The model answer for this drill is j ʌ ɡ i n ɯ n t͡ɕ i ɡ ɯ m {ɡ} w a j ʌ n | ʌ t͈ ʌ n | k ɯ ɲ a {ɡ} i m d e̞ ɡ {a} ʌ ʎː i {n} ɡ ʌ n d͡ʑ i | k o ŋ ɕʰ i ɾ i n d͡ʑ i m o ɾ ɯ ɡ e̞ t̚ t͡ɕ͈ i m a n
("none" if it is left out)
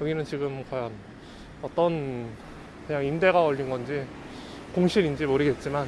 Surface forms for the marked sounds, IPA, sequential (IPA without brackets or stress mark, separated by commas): k, ŋ, a, n